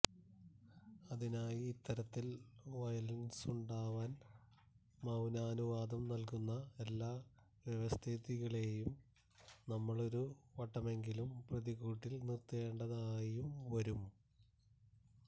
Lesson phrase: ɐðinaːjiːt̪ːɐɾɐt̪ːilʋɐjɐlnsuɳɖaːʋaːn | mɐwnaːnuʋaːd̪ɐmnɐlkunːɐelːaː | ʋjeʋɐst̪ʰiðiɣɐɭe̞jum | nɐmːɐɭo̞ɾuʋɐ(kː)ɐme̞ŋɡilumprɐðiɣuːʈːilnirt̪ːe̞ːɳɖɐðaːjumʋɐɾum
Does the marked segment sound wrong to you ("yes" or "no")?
yes